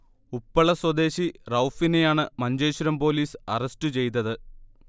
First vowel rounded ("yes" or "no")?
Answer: yes